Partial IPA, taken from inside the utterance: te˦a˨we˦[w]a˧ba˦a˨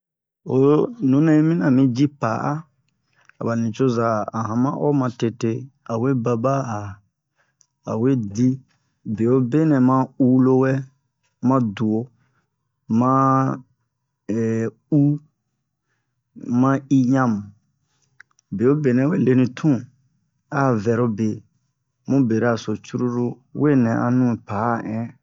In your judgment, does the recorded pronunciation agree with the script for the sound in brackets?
no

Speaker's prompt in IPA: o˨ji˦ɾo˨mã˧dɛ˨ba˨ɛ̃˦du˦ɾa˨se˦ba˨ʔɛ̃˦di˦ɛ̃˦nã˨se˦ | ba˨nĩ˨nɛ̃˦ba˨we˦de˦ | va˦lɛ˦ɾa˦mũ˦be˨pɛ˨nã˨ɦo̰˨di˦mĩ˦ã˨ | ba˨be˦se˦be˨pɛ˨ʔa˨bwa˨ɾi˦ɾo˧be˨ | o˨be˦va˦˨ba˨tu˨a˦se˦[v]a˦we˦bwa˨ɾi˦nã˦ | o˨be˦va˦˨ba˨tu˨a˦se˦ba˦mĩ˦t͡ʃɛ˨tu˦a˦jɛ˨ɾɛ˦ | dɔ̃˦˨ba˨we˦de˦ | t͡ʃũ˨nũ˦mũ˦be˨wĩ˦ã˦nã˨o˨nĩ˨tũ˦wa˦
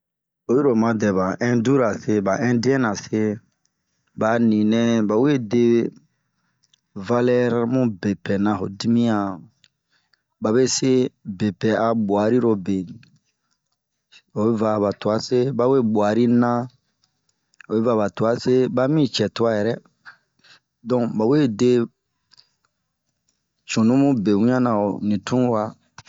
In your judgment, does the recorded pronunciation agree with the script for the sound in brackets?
no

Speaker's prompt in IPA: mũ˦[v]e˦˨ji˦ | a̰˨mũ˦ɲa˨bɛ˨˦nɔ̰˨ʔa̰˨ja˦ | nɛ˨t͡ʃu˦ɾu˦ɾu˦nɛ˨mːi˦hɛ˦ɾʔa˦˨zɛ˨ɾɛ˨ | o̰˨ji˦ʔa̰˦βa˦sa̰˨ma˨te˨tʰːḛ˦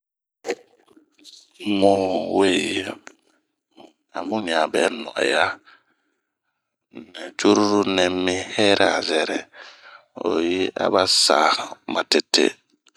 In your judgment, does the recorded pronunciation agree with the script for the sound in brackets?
no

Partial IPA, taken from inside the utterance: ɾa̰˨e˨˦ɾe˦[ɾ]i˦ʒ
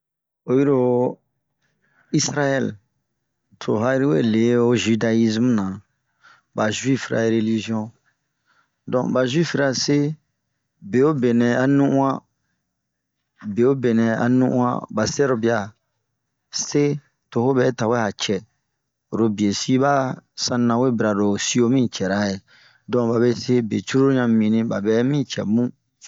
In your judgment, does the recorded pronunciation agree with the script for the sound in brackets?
no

